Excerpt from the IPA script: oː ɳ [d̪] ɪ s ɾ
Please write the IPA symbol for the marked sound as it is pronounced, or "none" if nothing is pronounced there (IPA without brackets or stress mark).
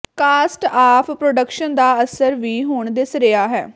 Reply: d̪